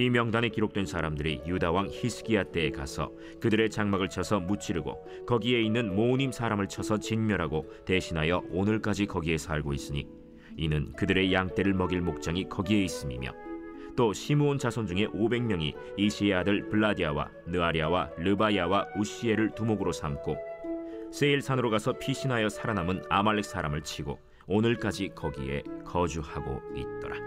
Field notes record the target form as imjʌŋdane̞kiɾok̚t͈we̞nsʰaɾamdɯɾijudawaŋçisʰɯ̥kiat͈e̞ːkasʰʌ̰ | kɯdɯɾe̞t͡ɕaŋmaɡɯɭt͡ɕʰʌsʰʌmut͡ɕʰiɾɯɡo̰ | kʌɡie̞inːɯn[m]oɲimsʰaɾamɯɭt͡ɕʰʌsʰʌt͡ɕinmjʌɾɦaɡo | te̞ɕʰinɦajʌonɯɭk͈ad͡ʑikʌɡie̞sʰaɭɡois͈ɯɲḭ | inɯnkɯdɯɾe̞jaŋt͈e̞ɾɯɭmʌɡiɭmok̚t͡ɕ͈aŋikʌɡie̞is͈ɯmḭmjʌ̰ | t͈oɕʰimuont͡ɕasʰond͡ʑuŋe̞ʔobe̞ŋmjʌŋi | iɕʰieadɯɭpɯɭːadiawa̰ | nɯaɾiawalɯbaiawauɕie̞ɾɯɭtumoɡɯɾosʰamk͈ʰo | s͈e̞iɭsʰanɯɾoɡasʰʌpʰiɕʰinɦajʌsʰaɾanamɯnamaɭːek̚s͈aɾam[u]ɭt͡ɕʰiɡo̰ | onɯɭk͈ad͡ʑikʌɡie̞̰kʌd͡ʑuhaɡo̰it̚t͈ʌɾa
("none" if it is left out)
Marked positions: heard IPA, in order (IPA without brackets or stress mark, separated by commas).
m, ɯ